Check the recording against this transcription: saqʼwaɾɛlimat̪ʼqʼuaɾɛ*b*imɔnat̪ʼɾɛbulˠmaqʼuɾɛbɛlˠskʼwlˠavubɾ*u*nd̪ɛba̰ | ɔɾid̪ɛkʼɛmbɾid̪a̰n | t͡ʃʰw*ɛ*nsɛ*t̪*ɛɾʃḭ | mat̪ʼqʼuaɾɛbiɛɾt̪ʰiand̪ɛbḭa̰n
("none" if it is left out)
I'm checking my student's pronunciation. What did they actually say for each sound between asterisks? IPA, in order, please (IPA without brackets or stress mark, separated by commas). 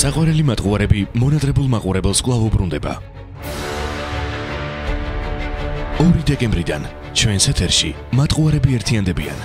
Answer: b, u, ɛ, t̪ʰ